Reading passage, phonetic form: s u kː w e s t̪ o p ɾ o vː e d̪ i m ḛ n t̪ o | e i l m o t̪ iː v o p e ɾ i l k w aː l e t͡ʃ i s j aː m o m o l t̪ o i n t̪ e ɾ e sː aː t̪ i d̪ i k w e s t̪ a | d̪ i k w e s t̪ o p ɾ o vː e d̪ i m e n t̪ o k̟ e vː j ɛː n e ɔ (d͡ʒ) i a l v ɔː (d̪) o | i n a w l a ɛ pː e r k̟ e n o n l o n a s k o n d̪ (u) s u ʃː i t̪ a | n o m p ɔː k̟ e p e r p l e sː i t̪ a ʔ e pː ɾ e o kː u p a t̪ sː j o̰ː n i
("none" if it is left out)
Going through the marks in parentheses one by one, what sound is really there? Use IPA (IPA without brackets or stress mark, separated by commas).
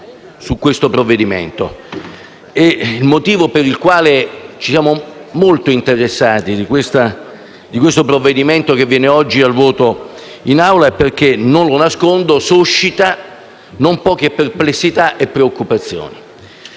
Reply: d͡ʒː, t̪, o